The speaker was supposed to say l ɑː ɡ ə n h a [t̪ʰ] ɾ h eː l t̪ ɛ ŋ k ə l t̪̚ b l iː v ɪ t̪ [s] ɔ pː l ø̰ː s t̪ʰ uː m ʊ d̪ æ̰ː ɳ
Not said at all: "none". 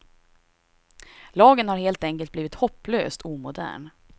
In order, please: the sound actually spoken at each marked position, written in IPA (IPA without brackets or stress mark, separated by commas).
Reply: none, h